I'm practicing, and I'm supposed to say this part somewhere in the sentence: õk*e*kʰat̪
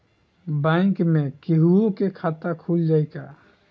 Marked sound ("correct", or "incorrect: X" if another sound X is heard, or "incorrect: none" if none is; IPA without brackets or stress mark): correct